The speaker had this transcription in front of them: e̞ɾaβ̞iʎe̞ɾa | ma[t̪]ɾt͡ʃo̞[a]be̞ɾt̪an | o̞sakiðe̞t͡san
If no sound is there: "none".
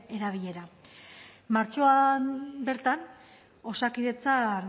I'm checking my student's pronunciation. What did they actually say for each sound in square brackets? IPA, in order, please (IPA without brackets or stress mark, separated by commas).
none, a